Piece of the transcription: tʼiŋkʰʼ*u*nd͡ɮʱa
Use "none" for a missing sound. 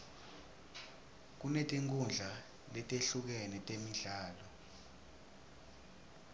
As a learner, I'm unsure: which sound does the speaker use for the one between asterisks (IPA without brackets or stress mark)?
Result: u